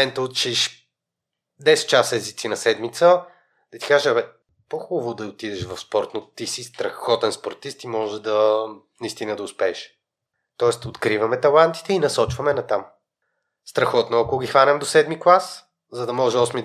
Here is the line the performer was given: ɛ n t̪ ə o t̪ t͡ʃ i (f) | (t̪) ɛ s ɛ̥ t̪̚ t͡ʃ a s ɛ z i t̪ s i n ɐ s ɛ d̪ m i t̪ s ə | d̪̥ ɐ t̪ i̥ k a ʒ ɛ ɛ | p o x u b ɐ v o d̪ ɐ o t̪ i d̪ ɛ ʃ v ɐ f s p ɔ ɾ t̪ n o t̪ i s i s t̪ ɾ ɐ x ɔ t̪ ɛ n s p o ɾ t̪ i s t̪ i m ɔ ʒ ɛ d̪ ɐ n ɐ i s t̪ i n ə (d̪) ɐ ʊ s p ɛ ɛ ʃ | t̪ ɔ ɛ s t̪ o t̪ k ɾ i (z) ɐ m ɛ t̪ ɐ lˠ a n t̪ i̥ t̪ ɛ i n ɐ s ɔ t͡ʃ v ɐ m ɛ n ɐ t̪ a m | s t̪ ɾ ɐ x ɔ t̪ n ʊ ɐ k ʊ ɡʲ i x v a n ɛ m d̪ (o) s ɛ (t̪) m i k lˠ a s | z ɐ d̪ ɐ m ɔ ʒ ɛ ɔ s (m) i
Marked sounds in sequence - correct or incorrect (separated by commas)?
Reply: incorrect, incorrect, correct, incorrect, correct, incorrect, correct